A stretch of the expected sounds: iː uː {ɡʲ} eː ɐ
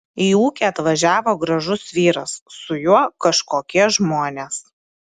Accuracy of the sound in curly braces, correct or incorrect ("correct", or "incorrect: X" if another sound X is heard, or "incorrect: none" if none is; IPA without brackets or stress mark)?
incorrect: kʲ